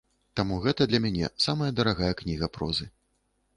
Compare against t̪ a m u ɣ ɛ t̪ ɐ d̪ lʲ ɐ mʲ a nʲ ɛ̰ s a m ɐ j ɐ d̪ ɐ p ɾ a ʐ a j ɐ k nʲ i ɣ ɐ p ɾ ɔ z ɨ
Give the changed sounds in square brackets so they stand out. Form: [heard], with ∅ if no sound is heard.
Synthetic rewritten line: t̪ a m u ɣ ɛ t̪ ɐ d̪ lʲ ɐ mʲ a nʲ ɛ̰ s a m ɐ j ɐ d̪ ɐ [∅] ɾ a [ɣ] a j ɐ k nʲ i ɣ ɐ p ɾ ɔ z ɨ